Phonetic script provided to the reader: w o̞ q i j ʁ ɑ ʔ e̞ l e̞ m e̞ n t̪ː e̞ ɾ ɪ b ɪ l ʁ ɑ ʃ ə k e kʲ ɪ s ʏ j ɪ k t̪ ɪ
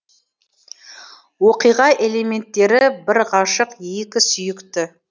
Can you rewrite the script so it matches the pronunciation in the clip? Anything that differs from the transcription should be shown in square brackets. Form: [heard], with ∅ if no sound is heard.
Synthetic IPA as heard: w o̞ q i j ʁ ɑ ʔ e̞ l e̞ m e̞ n t̪ː e̞ ɾ ɪ b ɪ [ɾ] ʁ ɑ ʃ ə [q] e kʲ ɪ s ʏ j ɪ k t̪ ɪ